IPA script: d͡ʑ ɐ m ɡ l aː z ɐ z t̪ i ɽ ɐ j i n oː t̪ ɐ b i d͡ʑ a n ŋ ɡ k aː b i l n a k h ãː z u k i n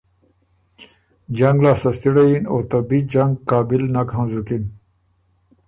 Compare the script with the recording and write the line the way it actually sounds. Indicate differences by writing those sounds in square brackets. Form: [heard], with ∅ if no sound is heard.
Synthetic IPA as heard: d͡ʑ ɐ [ŋ] ɡ l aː [s] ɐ [s] t̪ i ɽ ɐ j i n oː t̪ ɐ b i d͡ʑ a [∅] ŋ ɡ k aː b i l n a k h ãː z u k i n